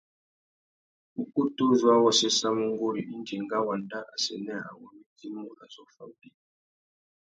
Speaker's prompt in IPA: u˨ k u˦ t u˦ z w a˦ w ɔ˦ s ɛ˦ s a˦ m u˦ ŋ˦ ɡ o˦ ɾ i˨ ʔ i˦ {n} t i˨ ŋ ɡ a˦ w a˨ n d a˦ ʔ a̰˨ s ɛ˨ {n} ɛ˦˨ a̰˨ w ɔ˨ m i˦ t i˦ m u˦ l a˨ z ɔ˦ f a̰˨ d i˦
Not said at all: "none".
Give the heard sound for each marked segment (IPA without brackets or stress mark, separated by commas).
n, n